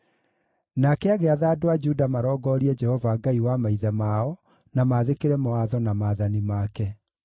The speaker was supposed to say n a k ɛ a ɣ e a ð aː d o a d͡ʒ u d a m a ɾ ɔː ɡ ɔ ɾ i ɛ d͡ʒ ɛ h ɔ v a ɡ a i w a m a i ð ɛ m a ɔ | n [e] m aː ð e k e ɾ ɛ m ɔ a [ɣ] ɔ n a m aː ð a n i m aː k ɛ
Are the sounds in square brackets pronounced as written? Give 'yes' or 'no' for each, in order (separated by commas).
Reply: no, no